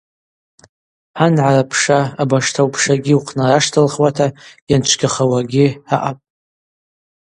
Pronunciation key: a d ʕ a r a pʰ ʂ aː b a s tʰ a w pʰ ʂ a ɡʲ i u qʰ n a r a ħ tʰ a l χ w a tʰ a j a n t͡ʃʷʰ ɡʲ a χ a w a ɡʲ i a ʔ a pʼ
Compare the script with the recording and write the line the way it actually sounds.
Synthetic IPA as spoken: a n ʕ a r a pʰ ʂ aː b a ʂ tʰ a w pʰ ʂ a ɡʲ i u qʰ n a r a ʂ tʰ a l χ w a tʰ a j a n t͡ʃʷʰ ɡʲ a χ a w a ɡʲ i a ʔ a pʼ